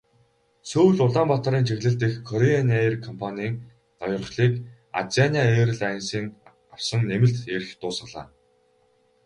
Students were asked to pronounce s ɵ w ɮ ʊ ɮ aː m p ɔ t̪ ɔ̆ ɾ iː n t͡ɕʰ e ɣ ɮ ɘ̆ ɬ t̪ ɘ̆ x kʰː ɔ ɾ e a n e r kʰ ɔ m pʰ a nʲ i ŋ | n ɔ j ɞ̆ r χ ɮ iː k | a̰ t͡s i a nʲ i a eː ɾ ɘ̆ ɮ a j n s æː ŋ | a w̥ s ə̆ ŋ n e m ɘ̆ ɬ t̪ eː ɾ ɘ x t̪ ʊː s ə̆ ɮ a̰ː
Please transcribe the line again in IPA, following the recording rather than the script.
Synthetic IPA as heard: s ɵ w ɮ ʊ ɮ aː m p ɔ t̪ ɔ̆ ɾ iː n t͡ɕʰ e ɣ ɮ ɘ̆ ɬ t̪ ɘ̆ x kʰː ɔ ɾ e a n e r kʰ ɔ m pʰ a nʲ iː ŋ | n ɔ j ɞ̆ r χ ɮ iː k | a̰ t͡s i a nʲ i a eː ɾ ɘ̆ ɮ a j n s iː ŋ | a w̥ s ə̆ ŋ n e m ɘ̆ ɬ t̪ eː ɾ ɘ x t̪ ʊː s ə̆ ɮ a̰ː